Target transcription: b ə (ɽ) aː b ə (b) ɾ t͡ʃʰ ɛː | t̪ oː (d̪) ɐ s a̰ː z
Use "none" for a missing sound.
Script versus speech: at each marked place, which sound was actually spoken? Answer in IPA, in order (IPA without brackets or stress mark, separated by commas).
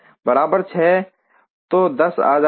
ɾ, none, d̪